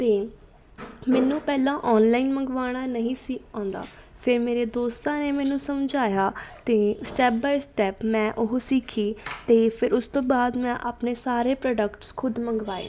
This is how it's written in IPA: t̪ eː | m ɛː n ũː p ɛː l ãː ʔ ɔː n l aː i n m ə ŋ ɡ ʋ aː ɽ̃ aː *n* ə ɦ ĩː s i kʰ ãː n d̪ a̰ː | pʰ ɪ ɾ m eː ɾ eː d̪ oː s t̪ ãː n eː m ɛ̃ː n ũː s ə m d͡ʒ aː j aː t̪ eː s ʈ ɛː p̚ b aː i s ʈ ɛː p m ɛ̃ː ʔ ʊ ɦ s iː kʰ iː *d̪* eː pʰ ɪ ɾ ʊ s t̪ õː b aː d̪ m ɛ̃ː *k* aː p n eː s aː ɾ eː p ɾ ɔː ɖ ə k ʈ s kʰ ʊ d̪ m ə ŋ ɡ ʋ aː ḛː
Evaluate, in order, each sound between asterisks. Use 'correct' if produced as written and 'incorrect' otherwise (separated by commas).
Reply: correct, incorrect, incorrect